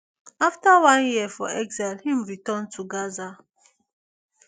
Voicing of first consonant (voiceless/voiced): voiceless